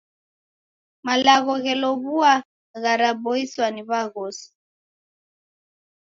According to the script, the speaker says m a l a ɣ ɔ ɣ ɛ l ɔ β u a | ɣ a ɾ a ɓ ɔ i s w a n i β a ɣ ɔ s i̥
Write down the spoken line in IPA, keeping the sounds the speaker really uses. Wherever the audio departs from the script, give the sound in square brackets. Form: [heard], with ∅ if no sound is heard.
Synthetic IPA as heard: m a l a ɣ ɔ ɣ ɛ l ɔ β u a | ɣ a ɾ a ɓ ɔ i s w a n i β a ɣ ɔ s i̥